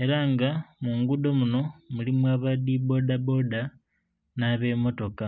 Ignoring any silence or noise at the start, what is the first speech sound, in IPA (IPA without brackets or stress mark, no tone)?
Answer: e̞